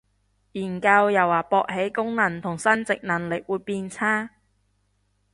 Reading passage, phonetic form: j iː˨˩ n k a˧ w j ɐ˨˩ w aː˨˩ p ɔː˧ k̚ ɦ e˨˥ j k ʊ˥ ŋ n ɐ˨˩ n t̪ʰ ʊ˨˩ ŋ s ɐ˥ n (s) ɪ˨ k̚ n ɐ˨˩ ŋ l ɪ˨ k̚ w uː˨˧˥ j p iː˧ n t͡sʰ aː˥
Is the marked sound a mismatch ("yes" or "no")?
yes